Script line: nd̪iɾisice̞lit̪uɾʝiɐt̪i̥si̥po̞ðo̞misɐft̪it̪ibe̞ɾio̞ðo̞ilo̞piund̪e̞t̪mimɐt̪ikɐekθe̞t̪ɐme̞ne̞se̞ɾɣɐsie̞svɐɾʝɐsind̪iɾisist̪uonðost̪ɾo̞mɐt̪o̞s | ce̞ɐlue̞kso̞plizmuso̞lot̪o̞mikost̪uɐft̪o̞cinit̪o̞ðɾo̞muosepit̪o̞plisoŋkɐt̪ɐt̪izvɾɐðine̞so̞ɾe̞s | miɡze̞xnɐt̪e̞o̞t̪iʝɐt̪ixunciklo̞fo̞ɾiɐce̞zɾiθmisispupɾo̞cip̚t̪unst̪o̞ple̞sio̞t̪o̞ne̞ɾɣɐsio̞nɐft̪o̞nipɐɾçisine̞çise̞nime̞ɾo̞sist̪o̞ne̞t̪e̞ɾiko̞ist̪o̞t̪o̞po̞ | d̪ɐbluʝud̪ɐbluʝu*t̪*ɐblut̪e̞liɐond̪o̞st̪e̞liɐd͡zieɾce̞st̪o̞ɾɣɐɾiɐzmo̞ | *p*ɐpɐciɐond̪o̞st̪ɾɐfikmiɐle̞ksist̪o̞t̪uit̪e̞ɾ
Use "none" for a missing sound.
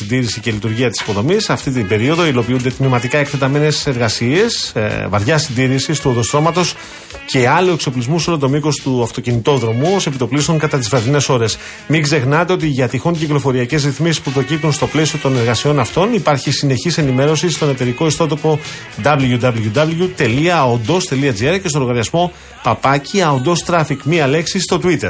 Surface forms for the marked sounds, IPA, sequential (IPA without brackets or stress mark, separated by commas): d̪, p